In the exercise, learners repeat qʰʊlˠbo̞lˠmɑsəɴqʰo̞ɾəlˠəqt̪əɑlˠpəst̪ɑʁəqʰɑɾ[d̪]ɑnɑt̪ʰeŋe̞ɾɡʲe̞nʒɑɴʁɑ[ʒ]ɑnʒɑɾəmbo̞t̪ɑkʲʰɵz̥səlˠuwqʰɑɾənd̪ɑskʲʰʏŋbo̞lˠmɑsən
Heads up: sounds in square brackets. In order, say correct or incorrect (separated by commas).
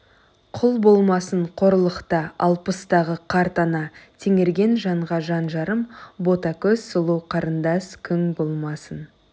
incorrect, correct